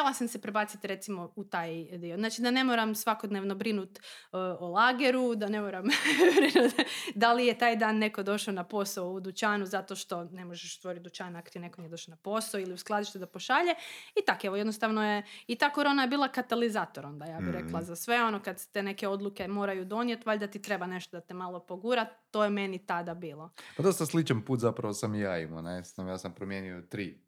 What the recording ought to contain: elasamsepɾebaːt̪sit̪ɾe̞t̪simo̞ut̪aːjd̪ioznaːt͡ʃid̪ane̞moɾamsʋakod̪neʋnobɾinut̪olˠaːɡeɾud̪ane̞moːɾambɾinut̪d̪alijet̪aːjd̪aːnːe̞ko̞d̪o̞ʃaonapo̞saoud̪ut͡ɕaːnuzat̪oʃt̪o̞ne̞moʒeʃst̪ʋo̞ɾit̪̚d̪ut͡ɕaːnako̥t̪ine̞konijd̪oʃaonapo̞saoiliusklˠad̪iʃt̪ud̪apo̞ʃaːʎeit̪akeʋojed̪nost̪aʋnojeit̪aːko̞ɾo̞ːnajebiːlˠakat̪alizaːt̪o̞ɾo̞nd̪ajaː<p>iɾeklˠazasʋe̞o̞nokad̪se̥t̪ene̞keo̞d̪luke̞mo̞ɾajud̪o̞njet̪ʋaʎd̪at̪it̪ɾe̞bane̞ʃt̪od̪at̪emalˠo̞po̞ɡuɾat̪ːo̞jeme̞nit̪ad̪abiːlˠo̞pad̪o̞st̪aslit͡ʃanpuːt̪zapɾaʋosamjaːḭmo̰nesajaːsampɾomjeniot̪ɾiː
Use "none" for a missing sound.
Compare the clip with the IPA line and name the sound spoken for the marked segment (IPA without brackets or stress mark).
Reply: b